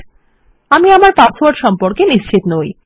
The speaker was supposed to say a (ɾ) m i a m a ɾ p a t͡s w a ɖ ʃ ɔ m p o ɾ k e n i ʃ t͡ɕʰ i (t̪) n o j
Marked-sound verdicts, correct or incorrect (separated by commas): incorrect, correct